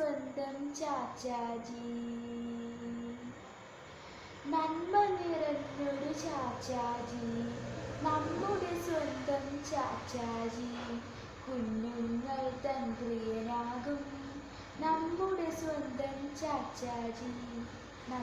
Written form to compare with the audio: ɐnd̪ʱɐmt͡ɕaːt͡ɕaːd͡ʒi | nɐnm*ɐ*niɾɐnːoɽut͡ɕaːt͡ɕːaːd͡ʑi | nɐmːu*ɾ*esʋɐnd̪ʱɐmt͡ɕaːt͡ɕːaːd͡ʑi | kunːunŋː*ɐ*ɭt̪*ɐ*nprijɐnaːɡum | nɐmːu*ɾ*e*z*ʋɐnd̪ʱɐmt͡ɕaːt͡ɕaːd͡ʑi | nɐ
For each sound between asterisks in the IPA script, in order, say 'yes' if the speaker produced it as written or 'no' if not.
yes, no, yes, yes, no, no

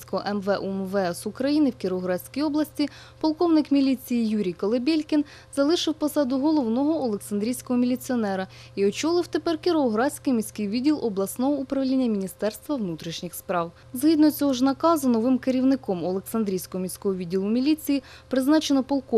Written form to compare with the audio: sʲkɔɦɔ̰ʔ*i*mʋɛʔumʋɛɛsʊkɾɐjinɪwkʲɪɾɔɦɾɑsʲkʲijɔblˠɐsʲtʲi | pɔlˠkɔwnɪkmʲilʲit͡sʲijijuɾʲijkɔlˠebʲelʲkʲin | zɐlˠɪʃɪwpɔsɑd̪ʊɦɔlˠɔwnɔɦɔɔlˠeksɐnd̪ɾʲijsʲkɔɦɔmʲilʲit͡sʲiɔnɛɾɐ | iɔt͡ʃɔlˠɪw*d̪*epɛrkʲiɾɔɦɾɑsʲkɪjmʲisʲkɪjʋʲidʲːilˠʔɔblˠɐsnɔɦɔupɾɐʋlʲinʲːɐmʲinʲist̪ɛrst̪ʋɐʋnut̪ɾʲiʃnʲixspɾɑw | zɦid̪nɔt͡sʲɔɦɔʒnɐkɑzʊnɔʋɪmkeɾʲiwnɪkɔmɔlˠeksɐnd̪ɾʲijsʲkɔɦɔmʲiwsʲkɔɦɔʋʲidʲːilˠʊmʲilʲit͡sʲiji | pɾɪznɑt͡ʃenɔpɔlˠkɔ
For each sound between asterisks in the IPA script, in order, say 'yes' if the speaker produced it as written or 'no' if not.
no, no

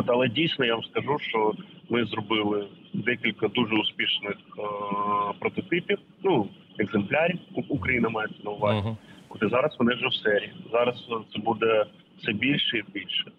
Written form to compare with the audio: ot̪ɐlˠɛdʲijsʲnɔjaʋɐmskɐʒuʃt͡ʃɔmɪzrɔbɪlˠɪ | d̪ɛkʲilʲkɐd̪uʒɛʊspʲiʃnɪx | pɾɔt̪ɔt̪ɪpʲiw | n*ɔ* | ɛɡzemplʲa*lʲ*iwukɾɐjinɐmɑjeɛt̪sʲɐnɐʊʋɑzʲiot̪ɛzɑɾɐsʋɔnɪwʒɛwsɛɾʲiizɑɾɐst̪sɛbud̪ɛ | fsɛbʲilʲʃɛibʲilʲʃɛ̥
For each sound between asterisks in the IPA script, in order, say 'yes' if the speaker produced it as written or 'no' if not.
no, no

